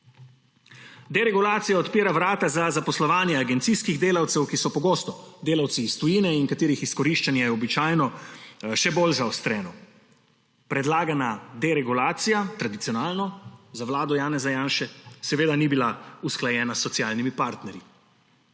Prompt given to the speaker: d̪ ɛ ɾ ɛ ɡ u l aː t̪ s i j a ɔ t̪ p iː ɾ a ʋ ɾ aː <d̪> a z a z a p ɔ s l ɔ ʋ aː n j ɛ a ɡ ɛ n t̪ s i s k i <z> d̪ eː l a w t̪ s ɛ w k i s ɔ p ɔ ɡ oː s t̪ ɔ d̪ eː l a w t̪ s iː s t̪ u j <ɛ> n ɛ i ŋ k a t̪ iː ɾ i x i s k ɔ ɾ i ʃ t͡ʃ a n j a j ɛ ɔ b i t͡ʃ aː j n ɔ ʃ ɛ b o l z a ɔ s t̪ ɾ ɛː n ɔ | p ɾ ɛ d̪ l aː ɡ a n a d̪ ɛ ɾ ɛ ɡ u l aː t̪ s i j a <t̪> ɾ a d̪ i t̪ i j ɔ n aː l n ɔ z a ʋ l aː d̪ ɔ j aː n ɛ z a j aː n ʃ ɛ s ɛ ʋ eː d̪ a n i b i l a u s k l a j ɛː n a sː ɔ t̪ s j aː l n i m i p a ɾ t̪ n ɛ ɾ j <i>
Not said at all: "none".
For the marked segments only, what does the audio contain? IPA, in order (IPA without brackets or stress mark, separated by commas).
t̪, ɣ, i, t̪, i